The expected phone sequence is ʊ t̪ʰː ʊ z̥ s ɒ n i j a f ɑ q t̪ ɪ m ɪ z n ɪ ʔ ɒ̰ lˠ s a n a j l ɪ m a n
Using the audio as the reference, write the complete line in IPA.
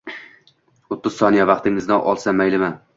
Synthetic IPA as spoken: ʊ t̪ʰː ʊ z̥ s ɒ n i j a v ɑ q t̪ ɪ ŋ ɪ z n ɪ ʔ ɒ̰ lˠ s a m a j l ɪ m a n